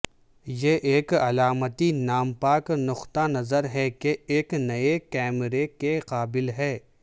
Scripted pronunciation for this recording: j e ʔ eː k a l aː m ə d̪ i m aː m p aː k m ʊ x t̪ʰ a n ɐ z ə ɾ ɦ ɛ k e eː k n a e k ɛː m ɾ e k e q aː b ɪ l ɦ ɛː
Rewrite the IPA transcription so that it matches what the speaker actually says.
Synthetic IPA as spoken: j e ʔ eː k ɐ l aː m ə t̪ i n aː m p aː k n ʊ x t̪ a n ɐ z ə ɾ ɦ ɛ k e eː k n ɐ e k ɛː m ɾ e k e q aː b ɪ l ɦ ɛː